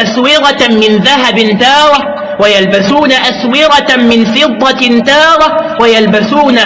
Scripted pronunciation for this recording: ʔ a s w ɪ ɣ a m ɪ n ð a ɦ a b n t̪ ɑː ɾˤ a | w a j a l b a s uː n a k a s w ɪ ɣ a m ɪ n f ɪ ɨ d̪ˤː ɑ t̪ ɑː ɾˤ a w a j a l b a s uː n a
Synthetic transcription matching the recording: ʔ a s w ɪ ɣ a m ɪ n ð a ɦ a b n t̪ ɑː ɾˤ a | w a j a l b a s uː n a ʔ a s w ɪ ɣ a m ɪ n f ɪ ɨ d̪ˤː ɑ t̪ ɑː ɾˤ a w a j a l b a s uː n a